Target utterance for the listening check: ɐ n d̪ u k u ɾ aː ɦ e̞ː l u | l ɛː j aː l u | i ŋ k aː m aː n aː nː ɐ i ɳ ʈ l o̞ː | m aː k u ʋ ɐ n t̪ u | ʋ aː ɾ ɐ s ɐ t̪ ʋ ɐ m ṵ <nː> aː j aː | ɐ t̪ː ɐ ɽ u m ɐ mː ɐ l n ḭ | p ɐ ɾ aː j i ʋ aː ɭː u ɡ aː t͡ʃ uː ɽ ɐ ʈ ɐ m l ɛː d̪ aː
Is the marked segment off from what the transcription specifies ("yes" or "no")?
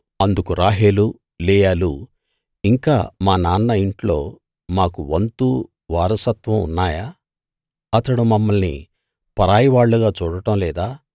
no